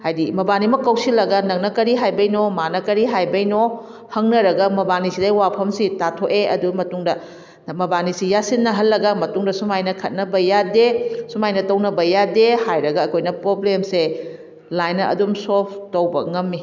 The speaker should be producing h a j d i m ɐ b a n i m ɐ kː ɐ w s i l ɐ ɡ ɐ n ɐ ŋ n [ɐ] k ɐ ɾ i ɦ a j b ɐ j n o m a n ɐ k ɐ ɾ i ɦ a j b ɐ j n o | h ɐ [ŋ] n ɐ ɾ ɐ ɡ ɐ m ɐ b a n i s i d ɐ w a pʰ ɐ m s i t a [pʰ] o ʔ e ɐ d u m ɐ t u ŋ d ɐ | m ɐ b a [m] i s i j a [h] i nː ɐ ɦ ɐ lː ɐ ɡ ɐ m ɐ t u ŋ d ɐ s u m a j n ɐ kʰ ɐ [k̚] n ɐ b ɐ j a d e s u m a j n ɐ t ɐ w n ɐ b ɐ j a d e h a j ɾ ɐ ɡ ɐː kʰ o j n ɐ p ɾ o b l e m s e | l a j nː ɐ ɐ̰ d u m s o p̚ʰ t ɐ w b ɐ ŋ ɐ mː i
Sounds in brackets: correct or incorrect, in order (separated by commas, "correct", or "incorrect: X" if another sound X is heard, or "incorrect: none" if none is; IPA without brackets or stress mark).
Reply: correct, correct, incorrect: tʰ, incorrect: n, incorrect: s, incorrect: t̚